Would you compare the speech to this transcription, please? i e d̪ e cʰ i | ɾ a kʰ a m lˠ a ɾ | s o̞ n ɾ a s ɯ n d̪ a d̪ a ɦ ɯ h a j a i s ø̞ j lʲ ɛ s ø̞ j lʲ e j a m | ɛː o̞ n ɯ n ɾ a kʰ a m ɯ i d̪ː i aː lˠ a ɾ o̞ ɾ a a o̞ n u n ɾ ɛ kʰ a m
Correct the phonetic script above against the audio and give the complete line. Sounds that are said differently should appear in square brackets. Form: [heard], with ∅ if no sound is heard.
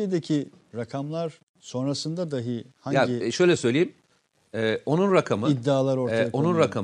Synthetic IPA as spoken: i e d̪ e cʰ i | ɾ a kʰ a m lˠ a ɾ | s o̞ n ɾ a s ɯ n d̪ a d̪ a ɦ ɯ h a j a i [ʃ] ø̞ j lʲ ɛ s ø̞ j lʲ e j [i] m | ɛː o̞ n [u] n ɾ a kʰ a m ɯ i d̪ː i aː lˠ a ɾ o̞ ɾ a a o̞ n u n ɾ [a] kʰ a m